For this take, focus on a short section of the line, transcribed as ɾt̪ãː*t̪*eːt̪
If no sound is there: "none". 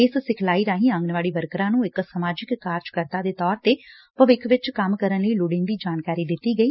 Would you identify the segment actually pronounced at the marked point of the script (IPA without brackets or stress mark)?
d̪